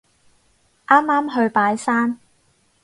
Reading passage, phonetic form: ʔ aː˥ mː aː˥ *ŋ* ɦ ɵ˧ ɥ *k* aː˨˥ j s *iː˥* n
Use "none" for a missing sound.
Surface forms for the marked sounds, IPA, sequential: m, p, aː˥

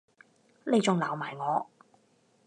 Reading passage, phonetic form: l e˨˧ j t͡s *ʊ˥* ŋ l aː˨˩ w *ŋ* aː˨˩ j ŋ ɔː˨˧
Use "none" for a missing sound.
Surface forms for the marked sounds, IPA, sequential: ʊ˨, m

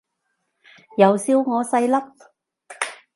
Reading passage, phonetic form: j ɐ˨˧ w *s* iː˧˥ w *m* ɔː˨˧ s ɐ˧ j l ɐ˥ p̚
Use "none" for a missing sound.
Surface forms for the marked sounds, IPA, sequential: s, ŋ

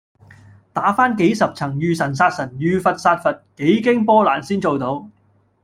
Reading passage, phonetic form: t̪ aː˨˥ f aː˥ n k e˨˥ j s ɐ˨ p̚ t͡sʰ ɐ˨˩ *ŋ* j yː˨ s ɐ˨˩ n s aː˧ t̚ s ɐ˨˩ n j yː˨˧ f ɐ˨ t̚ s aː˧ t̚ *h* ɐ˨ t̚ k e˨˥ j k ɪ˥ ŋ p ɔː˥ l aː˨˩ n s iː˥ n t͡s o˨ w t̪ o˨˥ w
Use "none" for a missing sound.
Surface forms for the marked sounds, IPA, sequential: ŋ, f

